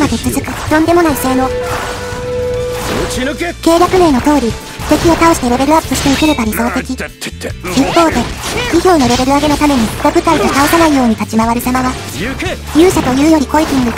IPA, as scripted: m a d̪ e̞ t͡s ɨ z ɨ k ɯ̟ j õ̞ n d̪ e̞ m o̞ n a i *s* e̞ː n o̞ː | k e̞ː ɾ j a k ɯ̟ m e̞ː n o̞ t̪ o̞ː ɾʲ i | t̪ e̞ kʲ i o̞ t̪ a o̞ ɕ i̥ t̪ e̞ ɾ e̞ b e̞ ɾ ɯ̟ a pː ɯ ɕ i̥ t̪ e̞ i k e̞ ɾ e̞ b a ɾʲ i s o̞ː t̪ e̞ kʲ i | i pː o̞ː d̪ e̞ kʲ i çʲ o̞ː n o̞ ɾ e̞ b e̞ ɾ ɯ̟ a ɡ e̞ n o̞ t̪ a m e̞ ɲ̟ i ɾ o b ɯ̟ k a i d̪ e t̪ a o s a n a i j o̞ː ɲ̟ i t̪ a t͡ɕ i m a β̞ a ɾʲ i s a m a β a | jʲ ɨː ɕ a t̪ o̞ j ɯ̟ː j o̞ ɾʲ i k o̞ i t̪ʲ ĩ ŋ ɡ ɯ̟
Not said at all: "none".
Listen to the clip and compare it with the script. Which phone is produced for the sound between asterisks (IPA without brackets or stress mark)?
s